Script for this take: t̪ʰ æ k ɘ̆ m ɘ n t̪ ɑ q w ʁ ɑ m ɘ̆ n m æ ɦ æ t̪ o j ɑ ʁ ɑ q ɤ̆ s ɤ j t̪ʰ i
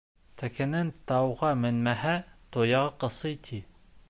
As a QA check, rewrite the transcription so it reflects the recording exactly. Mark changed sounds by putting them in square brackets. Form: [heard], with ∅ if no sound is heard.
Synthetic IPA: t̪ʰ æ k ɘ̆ [n] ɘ n t̪ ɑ [∅] w ʁ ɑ m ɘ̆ n m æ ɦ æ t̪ o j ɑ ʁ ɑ q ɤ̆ s ɤ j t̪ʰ i